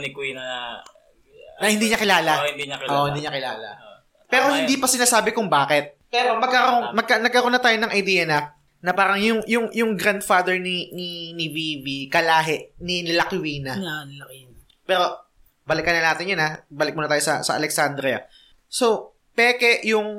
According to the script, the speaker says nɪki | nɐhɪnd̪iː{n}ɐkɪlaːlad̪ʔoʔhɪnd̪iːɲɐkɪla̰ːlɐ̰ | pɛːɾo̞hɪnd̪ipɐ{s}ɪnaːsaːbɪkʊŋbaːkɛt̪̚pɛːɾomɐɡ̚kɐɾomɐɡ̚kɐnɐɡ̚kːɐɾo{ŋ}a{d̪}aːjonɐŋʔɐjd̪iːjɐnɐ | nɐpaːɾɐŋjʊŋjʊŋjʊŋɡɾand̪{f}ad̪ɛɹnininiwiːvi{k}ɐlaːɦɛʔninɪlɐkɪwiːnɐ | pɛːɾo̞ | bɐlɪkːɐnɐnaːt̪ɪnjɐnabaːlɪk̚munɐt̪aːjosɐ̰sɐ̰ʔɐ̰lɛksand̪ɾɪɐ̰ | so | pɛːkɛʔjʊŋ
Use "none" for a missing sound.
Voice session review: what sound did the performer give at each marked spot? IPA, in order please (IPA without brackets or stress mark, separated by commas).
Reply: ɲ, s, n, t̪, f, k